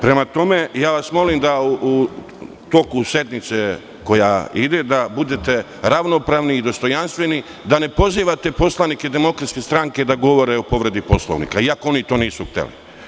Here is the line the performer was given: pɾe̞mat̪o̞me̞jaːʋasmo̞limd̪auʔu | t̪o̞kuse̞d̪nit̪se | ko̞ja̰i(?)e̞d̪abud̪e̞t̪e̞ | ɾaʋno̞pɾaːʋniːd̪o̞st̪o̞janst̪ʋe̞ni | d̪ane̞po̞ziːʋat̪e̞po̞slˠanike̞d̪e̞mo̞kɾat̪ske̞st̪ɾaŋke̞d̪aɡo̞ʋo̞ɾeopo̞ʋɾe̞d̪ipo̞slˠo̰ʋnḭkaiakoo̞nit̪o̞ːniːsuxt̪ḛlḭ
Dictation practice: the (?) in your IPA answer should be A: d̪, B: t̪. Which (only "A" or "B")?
A